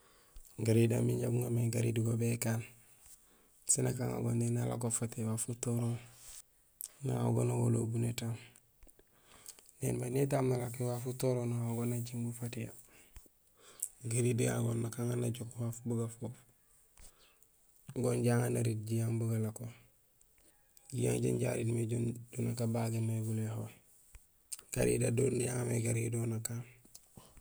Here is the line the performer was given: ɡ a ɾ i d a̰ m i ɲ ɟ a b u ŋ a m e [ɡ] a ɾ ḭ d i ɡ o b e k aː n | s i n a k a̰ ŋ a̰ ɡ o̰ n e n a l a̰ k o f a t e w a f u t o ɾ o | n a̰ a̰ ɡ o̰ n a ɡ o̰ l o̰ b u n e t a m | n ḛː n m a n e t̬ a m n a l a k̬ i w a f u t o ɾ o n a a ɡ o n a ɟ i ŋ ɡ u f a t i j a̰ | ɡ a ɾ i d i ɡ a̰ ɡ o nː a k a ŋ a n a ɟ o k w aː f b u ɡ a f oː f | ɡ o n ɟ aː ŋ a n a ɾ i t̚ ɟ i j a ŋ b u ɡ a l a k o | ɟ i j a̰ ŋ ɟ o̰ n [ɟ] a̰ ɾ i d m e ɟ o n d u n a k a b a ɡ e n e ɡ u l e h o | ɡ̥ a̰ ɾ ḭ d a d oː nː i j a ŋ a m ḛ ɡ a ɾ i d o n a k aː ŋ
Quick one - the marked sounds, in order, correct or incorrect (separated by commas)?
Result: correct, correct